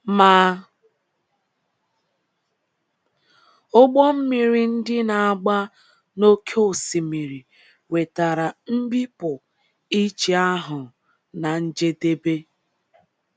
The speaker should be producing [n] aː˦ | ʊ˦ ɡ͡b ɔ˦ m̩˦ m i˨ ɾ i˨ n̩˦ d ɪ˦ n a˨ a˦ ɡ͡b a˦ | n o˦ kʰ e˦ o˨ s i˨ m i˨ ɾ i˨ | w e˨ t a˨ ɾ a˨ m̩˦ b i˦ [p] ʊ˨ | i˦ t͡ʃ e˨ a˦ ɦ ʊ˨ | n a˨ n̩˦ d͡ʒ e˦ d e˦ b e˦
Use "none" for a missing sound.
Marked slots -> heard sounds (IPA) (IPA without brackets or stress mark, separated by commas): m, p